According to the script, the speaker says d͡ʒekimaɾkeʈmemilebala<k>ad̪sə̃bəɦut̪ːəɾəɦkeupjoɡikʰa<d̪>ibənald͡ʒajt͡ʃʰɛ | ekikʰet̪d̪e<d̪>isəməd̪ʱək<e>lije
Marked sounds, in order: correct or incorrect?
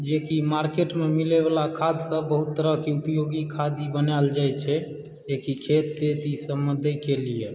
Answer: incorrect, correct, incorrect, correct

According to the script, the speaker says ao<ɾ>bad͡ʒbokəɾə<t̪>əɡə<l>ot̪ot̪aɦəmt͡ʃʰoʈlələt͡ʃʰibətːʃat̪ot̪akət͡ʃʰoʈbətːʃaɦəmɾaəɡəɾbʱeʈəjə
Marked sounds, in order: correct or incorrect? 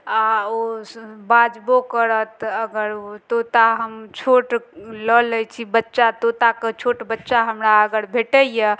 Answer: incorrect, correct, incorrect

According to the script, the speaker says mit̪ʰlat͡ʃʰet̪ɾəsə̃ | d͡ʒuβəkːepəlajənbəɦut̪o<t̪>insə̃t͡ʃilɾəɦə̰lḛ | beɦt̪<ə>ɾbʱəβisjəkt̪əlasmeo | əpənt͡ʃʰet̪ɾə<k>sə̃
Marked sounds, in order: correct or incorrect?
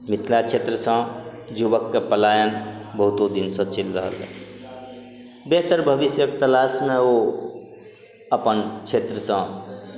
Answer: incorrect, correct, incorrect

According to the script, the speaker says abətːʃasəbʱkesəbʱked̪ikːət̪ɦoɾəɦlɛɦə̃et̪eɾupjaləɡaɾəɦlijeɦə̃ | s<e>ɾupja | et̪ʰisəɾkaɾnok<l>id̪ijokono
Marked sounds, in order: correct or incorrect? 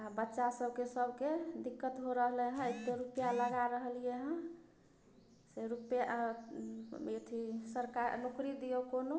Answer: correct, incorrect

